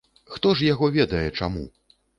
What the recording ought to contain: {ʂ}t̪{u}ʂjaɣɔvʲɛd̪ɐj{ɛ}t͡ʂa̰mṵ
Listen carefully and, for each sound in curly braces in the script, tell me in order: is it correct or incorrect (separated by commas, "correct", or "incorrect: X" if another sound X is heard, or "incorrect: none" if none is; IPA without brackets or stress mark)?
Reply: incorrect: x, incorrect: ɔ, correct